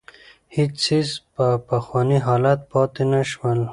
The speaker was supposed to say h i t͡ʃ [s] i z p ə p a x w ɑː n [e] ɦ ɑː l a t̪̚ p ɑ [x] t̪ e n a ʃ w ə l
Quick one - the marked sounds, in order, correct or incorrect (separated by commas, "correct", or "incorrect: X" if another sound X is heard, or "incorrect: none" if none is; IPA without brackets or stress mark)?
correct, incorrect: i, incorrect: none